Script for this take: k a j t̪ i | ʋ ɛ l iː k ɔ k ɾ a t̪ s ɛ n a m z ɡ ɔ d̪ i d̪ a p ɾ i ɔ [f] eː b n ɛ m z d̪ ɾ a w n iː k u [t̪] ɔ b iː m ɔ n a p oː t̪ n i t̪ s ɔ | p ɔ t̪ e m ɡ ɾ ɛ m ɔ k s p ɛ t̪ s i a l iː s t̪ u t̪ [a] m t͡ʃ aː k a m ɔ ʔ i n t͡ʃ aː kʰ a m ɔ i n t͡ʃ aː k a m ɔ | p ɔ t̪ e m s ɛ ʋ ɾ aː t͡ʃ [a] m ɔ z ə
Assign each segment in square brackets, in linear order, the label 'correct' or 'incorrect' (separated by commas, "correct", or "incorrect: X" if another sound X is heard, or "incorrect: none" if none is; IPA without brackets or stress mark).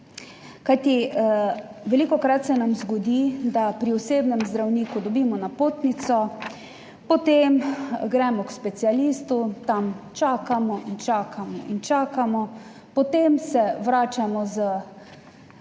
incorrect: s, incorrect: d̪, correct, correct